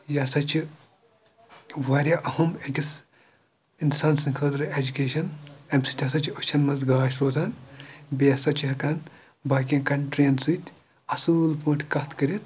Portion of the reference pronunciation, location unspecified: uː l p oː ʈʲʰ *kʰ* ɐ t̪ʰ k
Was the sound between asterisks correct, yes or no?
no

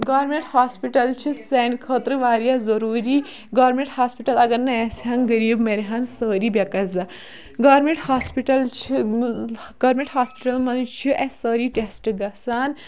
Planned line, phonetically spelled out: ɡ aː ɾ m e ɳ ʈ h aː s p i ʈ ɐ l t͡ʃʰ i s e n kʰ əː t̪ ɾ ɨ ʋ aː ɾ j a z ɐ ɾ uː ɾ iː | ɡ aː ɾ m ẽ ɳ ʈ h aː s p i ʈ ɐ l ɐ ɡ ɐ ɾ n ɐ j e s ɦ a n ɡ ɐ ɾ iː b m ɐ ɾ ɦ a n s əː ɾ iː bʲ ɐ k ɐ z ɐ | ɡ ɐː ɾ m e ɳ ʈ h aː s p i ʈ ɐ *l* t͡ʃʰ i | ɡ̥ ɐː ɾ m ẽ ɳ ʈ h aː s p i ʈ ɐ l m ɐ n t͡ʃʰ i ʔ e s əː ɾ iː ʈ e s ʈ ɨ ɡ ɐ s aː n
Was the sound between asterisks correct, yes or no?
yes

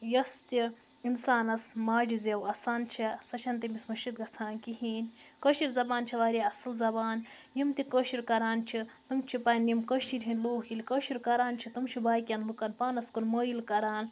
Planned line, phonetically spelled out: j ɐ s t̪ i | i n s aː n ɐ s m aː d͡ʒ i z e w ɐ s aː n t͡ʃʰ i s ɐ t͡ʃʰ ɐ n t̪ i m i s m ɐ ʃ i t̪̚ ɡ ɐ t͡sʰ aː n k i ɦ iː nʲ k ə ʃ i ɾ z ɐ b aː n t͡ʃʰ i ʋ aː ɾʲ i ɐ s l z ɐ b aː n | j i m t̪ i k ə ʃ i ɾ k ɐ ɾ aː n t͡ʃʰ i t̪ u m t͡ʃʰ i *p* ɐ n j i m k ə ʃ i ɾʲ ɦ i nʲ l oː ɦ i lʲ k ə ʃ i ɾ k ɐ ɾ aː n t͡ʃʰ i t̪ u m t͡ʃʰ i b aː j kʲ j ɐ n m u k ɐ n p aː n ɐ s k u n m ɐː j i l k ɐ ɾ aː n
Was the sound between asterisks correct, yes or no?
yes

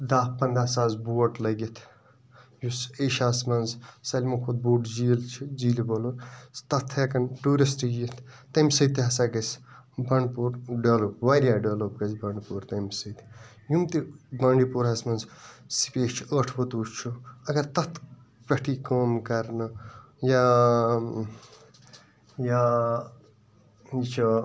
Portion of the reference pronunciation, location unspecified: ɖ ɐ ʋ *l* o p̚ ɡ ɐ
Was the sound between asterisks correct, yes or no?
yes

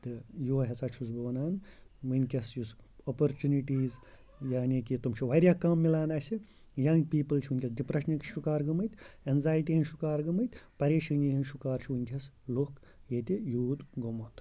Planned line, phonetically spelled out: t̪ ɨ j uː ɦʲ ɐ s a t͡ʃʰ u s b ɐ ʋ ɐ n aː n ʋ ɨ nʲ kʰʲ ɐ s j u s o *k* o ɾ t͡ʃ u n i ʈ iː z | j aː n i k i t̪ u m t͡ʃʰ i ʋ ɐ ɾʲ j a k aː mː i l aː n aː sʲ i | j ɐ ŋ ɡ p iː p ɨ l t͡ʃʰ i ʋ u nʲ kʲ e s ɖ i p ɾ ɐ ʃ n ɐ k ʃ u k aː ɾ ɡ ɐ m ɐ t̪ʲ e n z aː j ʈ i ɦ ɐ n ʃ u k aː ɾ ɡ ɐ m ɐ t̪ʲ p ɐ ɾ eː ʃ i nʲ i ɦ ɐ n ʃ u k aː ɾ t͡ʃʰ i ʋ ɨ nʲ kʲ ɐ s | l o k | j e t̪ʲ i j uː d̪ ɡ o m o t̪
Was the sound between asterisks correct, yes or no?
no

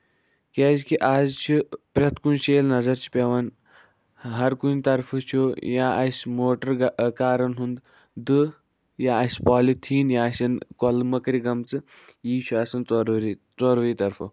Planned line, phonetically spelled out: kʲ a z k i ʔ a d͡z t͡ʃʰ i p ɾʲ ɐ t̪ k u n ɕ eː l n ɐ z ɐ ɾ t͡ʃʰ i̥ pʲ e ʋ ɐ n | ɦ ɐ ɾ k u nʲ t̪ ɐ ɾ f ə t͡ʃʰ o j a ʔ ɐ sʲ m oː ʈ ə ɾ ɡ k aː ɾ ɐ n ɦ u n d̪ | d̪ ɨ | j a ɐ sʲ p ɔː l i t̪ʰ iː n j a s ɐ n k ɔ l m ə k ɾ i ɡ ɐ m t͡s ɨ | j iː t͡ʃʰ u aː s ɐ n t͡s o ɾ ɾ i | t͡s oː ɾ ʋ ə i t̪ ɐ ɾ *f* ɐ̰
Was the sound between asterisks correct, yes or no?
yes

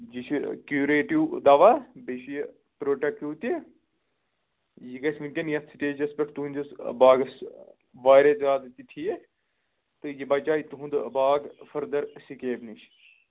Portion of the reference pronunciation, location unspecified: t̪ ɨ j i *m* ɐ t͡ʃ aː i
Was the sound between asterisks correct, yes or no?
no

